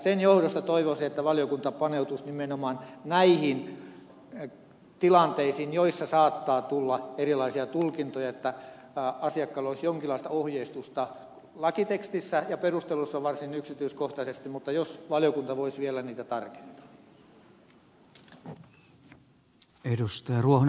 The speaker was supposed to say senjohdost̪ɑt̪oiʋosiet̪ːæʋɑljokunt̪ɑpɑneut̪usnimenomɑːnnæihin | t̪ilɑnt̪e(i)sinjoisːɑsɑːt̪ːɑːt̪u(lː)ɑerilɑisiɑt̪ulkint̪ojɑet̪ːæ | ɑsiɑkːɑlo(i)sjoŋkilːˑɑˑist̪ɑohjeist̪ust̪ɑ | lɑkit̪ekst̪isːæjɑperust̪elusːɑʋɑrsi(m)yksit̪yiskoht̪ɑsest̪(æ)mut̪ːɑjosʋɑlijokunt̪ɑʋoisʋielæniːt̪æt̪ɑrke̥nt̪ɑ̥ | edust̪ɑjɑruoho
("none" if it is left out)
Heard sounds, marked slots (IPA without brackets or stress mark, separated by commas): i, lː, i, n, i